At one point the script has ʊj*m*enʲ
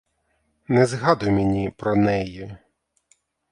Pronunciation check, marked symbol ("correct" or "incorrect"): correct